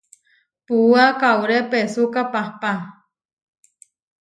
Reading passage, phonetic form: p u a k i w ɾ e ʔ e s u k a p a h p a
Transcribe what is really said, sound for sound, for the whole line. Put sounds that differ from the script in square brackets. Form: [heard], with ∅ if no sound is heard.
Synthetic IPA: p u a k [a] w ɾ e [p] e s u k a p a h p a